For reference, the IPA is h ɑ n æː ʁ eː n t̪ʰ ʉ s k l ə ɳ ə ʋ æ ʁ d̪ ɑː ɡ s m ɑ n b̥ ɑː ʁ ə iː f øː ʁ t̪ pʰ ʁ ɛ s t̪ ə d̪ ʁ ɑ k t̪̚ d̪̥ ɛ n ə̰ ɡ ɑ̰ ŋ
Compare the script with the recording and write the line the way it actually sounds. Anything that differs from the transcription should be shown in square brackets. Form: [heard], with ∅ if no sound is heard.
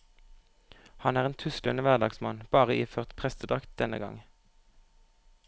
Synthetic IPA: h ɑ n æː ʁ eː n t̪ʰ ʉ s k l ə [n] ə ʋ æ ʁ d̪ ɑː ɡ s m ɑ n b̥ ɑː ʁ ə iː f øː ʁ t̪ pʰ ʁ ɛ s t̪ ə d̪ ʁ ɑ k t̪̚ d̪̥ ɛ n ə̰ ɡ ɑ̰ ŋ